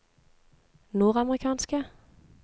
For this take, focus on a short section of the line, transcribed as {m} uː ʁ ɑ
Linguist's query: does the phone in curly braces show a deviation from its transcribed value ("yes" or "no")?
yes